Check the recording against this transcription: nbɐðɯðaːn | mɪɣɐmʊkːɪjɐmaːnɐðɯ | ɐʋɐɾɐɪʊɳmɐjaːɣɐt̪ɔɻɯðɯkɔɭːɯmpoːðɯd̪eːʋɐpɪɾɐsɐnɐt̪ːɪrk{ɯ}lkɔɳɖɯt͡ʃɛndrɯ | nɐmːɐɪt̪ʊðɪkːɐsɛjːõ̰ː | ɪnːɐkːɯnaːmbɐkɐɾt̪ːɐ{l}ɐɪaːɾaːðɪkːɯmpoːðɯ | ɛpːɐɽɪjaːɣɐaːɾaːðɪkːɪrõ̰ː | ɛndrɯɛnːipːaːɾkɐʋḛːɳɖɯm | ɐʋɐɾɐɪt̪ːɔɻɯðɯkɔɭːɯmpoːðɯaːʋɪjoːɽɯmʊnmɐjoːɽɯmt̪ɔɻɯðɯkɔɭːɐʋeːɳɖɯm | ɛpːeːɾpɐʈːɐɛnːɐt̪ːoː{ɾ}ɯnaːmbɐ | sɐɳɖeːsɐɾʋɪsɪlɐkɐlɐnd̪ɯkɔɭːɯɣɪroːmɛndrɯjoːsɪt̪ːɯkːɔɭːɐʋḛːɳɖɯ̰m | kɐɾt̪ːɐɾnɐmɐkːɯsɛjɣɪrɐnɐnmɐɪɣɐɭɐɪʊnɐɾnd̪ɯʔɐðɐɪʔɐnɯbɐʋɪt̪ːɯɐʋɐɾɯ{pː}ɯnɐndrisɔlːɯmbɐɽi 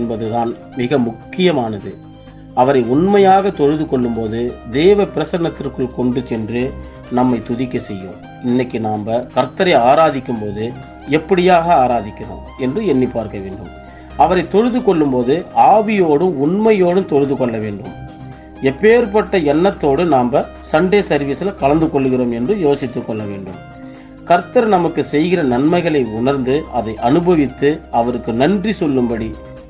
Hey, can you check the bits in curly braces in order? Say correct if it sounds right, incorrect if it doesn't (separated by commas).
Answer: correct, incorrect, incorrect, incorrect